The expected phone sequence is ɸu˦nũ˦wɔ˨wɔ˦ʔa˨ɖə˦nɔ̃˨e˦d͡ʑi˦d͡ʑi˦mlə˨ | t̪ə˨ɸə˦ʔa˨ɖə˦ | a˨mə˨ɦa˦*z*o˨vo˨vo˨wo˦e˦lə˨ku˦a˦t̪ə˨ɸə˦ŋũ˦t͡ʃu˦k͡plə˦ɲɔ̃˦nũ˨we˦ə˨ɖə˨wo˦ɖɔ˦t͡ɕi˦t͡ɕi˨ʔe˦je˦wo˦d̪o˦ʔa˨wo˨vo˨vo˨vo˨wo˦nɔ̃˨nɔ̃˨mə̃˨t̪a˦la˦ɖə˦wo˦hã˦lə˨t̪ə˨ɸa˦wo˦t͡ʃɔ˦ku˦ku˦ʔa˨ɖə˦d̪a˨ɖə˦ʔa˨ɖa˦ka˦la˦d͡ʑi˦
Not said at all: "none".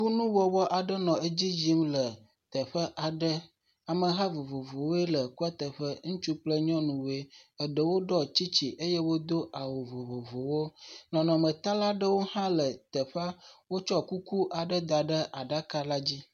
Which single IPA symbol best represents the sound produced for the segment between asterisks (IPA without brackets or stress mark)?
v